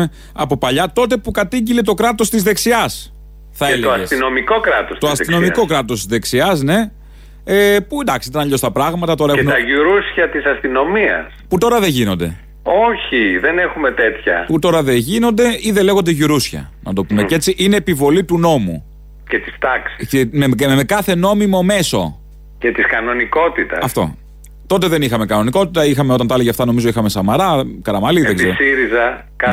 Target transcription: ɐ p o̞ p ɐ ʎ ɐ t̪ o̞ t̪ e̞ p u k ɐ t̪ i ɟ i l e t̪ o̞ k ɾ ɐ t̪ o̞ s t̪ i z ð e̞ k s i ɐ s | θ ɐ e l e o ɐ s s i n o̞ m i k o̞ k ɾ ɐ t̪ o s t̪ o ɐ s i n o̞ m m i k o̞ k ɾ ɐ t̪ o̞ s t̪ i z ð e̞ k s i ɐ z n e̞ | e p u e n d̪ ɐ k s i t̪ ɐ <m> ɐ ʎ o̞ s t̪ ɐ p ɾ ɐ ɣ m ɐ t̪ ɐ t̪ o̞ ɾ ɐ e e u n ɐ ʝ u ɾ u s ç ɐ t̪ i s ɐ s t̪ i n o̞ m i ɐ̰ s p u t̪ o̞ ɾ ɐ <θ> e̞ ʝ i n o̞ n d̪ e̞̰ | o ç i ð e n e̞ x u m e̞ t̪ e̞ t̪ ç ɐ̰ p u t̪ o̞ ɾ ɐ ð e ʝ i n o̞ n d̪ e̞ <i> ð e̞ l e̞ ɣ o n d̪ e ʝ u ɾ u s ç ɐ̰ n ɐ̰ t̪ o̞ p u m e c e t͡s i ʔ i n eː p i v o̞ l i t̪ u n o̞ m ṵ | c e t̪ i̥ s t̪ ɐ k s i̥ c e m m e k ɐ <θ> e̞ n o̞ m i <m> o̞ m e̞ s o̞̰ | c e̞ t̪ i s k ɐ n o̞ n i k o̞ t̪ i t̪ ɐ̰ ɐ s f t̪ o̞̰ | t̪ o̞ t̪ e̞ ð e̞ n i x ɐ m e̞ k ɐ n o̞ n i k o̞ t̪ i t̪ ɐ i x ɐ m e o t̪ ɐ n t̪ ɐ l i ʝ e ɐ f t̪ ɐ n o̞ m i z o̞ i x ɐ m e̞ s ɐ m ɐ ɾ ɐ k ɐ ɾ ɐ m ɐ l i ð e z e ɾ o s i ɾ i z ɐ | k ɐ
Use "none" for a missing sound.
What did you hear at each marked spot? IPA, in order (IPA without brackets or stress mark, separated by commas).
n, ð, i, θ, m